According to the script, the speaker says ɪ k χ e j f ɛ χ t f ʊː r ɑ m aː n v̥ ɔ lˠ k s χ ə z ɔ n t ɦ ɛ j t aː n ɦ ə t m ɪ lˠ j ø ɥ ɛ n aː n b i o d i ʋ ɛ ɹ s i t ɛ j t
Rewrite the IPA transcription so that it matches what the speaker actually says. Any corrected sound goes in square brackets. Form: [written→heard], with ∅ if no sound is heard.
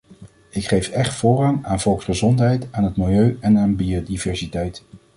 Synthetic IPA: ɪ k χ e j f ɛ χ t f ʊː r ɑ [m→ŋ] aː n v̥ ɔ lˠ k s χ ə z ɔ n t ɦ ɛ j t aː n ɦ ə t m ɪ lˠ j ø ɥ ɛ n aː n b i o d i [ʋ→v] ɛ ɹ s i t ɛ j t